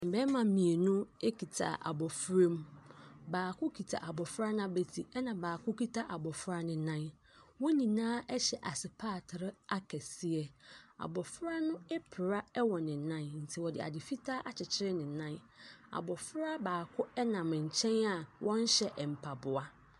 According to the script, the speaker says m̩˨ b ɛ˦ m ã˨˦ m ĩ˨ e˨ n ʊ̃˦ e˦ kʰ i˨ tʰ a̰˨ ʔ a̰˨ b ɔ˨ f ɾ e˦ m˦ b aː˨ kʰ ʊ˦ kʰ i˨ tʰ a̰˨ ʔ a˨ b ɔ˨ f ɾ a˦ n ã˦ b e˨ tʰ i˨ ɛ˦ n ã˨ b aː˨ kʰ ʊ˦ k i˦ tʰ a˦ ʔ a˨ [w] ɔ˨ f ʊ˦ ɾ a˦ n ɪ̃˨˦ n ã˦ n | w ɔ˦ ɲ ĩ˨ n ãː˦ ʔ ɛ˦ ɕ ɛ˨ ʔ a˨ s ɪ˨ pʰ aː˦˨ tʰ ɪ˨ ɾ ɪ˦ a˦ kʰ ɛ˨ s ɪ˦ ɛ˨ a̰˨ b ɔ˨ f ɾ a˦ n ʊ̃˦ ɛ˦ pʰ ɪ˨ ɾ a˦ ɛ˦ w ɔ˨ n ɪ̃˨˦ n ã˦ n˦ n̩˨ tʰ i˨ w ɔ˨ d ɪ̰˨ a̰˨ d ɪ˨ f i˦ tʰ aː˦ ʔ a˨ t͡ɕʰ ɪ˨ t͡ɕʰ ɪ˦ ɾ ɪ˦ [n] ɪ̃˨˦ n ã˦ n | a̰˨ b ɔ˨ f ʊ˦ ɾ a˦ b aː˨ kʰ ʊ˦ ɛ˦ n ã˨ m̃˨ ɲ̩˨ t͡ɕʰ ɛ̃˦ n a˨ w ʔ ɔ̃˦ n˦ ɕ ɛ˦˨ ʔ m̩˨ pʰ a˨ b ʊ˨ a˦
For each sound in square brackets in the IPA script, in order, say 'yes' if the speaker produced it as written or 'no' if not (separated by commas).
no, yes